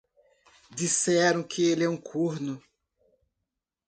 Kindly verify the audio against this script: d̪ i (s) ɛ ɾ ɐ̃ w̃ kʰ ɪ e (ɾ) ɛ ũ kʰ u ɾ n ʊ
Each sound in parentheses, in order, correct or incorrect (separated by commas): correct, incorrect